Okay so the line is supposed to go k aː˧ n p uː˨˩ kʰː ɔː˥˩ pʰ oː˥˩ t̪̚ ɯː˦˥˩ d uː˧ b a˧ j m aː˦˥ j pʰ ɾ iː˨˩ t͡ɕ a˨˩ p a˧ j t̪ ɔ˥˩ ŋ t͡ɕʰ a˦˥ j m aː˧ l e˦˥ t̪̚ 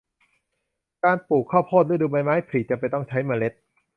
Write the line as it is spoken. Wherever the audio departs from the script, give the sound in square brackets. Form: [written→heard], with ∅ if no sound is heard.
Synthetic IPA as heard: k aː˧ n p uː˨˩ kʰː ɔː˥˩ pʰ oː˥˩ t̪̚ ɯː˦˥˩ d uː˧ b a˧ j m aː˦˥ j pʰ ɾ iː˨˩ t͡ɕ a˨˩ p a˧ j t̪ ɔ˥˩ ŋ t͡ɕʰ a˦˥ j m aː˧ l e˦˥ t̪̚